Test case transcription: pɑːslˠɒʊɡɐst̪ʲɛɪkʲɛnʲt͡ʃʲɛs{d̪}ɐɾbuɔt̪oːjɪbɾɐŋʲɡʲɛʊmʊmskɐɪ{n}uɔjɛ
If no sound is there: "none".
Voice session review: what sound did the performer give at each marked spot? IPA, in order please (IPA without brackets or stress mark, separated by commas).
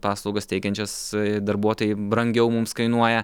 d̪, n